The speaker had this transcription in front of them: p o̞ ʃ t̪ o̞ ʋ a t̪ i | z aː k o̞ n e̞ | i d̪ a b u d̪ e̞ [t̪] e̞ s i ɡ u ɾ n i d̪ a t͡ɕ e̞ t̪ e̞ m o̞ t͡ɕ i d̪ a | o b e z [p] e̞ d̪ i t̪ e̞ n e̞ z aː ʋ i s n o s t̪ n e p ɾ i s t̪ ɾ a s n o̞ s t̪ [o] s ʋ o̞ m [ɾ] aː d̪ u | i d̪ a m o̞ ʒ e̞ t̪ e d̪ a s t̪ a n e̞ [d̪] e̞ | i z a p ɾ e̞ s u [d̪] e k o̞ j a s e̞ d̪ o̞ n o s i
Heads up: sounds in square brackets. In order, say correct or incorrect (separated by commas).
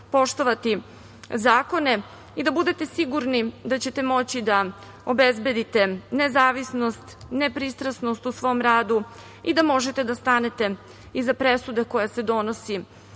correct, incorrect, incorrect, correct, incorrect, correct